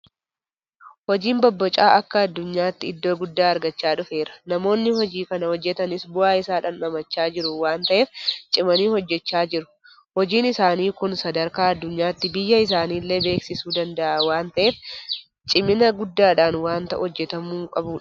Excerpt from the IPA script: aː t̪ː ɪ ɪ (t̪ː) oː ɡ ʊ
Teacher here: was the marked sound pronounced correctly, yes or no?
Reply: no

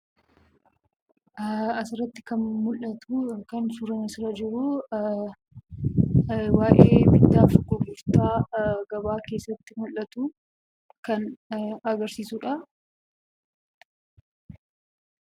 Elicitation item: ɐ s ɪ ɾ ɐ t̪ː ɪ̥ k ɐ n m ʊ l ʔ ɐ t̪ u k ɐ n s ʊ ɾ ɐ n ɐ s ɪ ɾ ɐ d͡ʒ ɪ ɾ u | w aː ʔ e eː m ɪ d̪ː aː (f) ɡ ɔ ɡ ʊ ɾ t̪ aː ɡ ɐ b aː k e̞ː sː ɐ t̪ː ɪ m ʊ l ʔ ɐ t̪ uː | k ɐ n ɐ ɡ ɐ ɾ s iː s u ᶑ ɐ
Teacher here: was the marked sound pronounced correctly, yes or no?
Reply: yes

